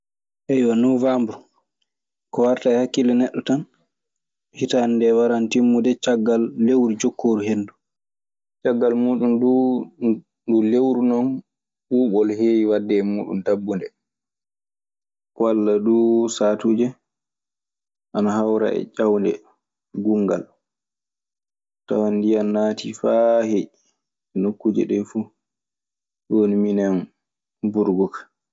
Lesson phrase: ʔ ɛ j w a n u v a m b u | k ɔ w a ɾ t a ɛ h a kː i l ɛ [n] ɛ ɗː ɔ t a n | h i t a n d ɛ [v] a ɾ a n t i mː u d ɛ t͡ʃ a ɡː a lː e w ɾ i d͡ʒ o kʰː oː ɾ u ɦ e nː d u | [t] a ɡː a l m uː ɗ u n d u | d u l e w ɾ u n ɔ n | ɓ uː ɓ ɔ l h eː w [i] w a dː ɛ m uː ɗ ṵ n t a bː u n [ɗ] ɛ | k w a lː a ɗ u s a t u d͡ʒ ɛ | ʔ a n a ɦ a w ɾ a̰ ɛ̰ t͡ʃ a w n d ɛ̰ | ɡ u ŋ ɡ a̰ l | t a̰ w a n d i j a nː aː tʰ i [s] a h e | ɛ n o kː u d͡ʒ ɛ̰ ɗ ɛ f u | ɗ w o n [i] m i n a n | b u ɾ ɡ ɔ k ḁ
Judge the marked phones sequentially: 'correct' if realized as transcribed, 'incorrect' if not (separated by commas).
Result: correct, incorrect, incorrect, correct, incorrect, incorrect, correct